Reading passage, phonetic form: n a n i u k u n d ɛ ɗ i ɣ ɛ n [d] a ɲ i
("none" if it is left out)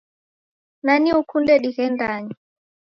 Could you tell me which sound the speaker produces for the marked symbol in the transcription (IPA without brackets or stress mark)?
d